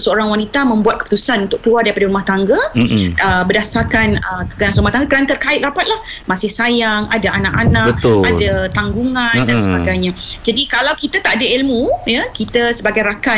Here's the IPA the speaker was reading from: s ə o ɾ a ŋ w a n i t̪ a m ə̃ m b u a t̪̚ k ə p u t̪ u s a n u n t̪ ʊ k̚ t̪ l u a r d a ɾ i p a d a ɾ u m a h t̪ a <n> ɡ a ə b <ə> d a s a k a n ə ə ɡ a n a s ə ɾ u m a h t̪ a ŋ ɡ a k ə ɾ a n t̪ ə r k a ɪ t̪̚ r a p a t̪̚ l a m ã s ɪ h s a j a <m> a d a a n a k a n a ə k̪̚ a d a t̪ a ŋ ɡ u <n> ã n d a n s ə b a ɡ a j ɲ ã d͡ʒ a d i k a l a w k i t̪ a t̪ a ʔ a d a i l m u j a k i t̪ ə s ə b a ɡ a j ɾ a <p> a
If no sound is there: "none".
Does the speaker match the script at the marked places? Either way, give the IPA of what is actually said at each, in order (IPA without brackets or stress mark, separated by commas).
ŋ, ə, ŋ, ŋ, k